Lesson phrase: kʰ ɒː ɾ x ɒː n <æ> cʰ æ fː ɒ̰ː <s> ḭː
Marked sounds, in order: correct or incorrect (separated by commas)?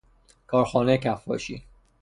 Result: incorrect, incorrect